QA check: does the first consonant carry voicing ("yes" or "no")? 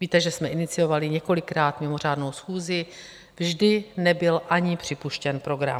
yes